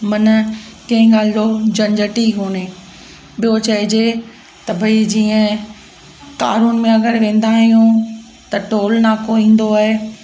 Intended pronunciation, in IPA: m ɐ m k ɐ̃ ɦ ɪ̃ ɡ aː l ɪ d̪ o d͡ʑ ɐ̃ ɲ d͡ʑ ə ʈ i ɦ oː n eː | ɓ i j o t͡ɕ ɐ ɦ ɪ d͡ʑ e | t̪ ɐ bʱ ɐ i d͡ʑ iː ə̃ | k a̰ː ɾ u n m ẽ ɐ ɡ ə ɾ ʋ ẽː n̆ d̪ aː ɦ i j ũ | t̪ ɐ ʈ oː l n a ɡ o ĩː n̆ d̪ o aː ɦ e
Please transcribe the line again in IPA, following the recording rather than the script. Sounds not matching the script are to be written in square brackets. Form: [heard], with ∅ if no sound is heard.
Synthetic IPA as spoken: m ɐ [n] k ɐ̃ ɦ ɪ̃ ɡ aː l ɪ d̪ o d͡ʑ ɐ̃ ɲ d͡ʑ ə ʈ i ɦ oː n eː | ɓ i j o t͡ɕ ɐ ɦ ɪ d͡ʑ e | t̪ ɐ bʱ ɐ i d͡ʑ iː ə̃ | k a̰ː ɾ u n m ẽ ɐ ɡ ə ɾ ʋ ẽː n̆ d̪ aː ɦ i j ũ | t̪ ɐ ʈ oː l n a [k] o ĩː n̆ d̪ o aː ɦ e